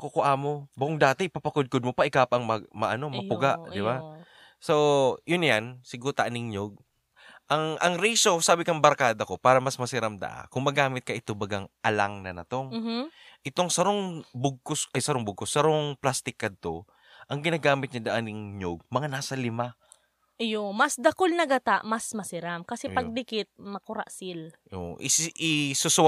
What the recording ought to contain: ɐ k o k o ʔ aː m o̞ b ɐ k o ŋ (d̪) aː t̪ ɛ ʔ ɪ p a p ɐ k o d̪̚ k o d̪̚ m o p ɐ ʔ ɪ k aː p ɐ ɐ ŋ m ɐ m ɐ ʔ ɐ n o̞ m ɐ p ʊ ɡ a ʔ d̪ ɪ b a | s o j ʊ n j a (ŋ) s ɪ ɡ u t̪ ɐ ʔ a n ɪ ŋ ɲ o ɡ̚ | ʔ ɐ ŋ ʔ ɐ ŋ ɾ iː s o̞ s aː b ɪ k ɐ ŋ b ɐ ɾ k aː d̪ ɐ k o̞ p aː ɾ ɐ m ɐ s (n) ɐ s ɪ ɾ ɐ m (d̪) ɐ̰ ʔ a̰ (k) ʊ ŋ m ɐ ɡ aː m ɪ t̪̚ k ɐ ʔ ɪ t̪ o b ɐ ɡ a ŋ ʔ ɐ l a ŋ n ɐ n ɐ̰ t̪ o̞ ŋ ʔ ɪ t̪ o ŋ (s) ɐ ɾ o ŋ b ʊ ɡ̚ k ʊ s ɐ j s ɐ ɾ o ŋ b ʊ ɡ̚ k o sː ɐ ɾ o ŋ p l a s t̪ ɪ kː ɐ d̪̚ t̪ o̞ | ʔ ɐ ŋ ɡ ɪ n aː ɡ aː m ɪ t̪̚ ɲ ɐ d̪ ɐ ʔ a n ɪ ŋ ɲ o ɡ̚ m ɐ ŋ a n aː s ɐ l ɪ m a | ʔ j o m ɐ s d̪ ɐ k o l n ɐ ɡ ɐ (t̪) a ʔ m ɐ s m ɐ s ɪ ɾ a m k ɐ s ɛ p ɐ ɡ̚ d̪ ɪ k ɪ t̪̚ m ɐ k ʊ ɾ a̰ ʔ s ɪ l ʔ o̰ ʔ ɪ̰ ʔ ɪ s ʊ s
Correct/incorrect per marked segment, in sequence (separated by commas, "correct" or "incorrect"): correct, incorrect, incorrect, correct, correct, correct, correct